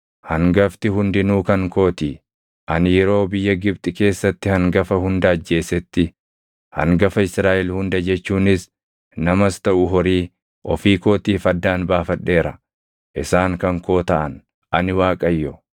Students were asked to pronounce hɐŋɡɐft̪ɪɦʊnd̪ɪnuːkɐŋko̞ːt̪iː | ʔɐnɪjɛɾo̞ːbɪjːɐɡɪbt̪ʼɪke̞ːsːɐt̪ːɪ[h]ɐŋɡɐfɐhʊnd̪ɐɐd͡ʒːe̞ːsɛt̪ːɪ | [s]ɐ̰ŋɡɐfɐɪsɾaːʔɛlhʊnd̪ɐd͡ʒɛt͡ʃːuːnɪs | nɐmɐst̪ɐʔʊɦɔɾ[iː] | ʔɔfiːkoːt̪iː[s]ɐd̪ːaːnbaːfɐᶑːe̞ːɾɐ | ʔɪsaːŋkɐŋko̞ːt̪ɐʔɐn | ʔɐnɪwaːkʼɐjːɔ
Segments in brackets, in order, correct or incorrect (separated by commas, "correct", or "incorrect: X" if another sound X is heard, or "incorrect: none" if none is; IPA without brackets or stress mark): correct, incorrect: h, correct, incorrect: f